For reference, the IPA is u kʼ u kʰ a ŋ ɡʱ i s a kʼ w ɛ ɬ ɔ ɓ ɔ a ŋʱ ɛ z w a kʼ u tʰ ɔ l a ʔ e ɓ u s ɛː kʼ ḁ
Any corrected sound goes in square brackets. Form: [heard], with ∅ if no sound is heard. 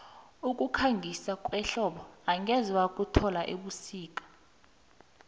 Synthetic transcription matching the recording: u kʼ u kʰ a ŋ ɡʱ i s a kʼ w ɛ ɬ ɔ ɓ ɔ a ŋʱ ɛ z w a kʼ u tʰ ɔ l a ʔ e ɓ u s [iː] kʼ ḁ

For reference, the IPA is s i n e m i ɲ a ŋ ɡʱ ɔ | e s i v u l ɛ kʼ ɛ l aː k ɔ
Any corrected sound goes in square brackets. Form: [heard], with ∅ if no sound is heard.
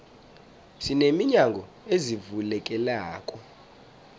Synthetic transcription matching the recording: s i n e m i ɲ a ŋ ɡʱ ɔ | e [z] i v u l ɛ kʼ ɛ l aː [kʼ] ɔ

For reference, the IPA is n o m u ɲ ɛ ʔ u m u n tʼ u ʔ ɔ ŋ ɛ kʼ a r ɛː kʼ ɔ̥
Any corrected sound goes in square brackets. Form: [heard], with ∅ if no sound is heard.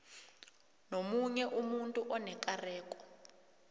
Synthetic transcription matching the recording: n o m u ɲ ɛ ʔ u m u n tʼ u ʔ ɔ [n] ɛ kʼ a r ɛː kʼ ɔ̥

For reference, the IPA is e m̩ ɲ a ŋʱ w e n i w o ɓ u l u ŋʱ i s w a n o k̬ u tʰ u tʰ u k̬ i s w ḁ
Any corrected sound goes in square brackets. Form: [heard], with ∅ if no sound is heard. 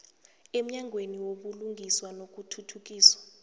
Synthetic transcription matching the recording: e m̩ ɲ a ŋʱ w e n i w o ɓ u l u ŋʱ i s w a n o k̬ u tʰ u tʰ u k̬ [iː] s w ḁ

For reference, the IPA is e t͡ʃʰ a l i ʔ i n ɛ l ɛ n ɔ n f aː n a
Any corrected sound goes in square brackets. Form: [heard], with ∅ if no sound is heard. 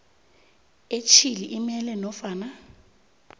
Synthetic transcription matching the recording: e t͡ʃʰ [i] l i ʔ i [m] ɛ l ɛ n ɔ [∅] f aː n a

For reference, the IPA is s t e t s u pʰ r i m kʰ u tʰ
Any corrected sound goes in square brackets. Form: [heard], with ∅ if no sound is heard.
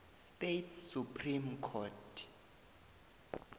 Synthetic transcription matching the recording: s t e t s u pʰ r i m kʰ [ɔ] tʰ

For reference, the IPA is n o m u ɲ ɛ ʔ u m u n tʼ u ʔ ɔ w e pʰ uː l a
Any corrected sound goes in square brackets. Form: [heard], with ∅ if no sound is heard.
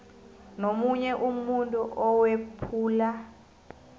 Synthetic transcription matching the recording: n o m u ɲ ɛ ʔ u m u n tʼ u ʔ ɔ w e pʰ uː l a

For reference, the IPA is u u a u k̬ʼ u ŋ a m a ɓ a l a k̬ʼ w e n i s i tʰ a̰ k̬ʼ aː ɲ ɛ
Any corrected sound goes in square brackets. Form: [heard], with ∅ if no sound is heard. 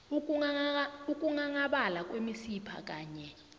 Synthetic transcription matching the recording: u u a u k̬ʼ u ŋ a [ŋ] a ɓ a l a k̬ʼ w e [m] i s i [pʰ] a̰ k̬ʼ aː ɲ ɛ

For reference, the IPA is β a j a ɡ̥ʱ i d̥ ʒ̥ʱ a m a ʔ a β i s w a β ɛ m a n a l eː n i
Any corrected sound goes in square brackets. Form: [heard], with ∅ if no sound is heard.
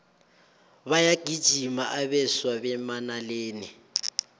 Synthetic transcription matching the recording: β a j a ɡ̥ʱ i d̥ ʒ̥ʱ [i] m a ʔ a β [ɛ] s w a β ɛ m a n a l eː n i

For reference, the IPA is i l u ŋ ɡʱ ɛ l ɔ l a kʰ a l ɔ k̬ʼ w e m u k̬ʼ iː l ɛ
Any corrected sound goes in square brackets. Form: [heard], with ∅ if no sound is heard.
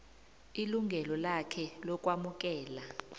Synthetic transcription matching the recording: i l u ŋ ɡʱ ɛ l ɔ l a kʰ [ɛ] l ɔ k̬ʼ w [a] m u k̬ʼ [ɛː] l [a]

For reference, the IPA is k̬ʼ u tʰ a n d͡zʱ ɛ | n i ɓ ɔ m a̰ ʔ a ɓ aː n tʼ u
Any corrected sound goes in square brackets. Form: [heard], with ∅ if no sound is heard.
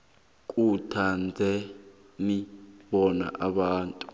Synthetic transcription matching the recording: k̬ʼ u tʰ a n d͡zʱ ɛ | n i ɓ ɔ [n] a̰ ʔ a ɓ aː n tʼ u

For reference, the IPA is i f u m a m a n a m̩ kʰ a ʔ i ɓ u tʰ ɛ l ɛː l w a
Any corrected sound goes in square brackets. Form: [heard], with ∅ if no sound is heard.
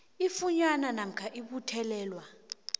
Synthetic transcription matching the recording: i f u [ɲ] a [n] a n a m̩ kʰ a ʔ i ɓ u tʰ ɛ l ɛː l w a

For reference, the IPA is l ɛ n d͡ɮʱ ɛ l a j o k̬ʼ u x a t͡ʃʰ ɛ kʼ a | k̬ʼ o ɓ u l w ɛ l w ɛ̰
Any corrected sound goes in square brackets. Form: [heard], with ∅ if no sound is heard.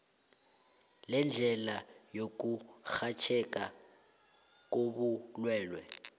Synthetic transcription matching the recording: l ɛ n d͡ɮʱ ɛ l a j o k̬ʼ u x a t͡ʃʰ ɛ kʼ a | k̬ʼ o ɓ u l w [ɛː] l w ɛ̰

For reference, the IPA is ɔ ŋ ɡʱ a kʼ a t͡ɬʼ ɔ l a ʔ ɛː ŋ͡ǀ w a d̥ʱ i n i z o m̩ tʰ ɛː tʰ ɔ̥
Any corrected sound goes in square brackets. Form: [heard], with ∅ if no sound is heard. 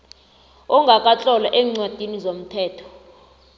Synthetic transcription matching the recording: ɔ ŋ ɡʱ a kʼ a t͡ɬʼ ɔ l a ʔ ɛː ŋ͡ǀ w a d̥ʱ i n i z o m̩ tʰ ɛː tʰ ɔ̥

